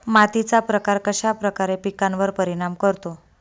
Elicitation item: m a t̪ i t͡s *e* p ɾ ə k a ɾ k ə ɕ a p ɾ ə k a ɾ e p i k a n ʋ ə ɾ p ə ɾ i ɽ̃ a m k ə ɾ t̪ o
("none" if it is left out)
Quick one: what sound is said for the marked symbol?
a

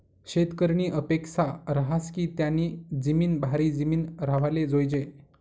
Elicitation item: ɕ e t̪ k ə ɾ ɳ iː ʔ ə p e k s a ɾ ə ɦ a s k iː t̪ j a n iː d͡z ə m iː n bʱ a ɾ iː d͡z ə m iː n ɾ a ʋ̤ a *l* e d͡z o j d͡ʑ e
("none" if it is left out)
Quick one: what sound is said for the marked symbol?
l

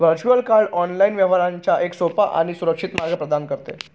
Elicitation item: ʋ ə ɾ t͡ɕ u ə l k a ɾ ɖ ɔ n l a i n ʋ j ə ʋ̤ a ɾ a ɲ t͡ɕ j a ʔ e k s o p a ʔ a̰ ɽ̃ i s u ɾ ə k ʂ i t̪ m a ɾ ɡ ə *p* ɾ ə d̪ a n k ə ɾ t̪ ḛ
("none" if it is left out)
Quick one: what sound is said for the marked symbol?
p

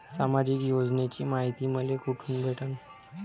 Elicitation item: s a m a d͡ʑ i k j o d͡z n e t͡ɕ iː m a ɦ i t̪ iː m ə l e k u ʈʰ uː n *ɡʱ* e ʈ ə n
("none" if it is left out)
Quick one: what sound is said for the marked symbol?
bʱ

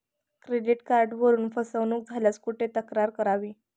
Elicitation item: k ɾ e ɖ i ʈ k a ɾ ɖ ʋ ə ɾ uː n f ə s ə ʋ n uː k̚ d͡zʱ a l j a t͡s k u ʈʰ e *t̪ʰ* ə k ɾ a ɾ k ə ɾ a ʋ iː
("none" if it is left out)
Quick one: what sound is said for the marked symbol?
t̪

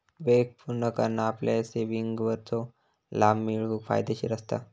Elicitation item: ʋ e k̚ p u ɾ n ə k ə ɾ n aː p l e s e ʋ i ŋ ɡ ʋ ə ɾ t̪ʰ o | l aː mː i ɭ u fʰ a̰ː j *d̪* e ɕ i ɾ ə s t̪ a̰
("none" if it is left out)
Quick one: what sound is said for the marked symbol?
d̪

